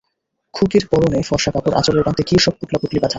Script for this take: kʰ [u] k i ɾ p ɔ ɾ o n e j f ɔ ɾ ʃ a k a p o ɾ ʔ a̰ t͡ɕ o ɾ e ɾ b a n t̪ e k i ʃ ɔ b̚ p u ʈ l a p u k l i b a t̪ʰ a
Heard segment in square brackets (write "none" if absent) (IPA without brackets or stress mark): u